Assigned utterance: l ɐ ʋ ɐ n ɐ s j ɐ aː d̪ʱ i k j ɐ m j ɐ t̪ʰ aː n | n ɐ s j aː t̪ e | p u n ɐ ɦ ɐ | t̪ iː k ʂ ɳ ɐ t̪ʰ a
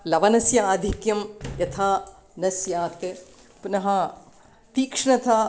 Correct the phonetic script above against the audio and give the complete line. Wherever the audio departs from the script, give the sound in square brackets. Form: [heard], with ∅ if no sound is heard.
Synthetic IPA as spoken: l ɐ ʋ ɐ n ɐ s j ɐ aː d̪ʱ i k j ɐ m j ɐ t̪ʰ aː [∅] | n ɐ s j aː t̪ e | p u n ɐ ɦ ɐ | t̪ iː k ʂ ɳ ɐ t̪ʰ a